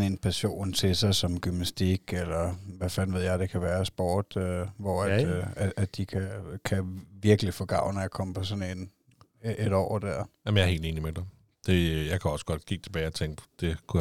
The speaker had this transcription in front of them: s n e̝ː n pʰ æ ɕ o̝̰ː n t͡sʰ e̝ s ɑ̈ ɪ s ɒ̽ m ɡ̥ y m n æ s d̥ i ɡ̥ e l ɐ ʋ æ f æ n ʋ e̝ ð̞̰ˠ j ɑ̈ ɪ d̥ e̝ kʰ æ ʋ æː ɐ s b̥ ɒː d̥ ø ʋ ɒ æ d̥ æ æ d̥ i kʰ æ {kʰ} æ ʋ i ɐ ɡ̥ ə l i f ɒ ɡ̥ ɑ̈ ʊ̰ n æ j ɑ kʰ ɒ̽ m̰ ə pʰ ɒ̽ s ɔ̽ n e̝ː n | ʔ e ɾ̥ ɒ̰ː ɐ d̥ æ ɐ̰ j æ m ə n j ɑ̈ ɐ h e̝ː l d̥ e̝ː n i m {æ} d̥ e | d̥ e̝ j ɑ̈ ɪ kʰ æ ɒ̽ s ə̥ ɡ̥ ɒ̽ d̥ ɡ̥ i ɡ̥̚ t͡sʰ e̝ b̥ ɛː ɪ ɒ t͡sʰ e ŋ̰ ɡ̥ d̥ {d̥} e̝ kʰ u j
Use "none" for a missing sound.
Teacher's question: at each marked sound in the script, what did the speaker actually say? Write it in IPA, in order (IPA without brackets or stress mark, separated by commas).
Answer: kʰ, e, d̥